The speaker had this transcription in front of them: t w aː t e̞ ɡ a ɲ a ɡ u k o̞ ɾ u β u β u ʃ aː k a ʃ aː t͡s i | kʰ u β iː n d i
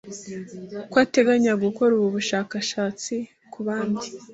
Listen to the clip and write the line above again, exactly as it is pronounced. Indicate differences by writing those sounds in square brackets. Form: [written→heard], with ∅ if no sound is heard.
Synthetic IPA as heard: [t→k] w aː t e̞ ɡ a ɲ a ɡ u k o̞ ɾ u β u β u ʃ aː k a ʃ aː t͡s i | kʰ u β [iː→aː] n d i